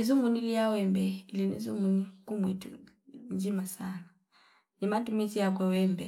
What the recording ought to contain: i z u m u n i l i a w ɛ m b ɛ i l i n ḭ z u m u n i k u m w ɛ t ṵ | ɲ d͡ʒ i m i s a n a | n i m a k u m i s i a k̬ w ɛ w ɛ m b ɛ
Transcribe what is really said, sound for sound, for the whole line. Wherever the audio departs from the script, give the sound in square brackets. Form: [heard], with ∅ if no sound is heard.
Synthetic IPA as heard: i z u m u n i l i a w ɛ m b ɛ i l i n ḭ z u m u n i k u m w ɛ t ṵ | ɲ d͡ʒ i m [a] s a n a | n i m a [t] u m i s i a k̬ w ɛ w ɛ m b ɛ